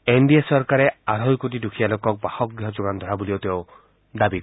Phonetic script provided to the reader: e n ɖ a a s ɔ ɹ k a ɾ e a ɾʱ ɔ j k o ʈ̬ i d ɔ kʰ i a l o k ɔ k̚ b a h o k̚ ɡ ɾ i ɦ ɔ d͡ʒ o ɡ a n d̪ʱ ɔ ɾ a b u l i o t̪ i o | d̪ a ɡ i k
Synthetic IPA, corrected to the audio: e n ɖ i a s ɔ ɾ k a ɾ e a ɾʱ ɔ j k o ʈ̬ i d u kʰ i a l o k ɔ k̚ b a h ɔ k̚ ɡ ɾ i ɦ ɔ d͡ʒ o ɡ a n d̪ʱ ɔ ɾ a b u l i o t̪ e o | d̪ a b i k